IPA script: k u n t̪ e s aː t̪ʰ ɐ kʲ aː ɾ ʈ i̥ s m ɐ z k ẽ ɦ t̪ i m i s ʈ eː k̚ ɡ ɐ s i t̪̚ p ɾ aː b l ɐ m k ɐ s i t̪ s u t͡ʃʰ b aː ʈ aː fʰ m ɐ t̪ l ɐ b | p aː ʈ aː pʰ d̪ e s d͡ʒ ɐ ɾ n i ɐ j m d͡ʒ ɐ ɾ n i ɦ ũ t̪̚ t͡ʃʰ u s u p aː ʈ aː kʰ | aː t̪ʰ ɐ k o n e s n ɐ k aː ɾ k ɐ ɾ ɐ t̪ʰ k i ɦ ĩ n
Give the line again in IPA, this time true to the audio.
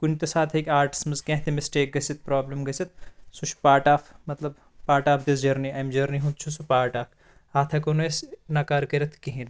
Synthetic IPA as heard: k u n t̪ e s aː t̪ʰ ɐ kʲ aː ɾ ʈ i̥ s m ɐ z k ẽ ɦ t̪ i m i s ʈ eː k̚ ɡ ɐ s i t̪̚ p ɾ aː b l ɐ m ɡ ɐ s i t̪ s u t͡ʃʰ p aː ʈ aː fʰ m ɐ t̪ l ɐ b | p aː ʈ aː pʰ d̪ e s d͡ʒ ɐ ɾ n i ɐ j m d͡ʒ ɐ ɾ n i ɦ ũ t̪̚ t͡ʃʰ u s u p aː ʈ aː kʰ | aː t̪ʰ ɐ k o n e s n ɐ k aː ɾ k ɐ ɾ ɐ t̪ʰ k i ɦ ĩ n